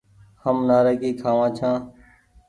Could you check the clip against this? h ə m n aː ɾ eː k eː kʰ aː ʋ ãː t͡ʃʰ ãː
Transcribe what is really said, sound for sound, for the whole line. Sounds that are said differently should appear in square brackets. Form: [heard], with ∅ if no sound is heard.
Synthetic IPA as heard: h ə m n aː ɾ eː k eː kʰ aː ʋ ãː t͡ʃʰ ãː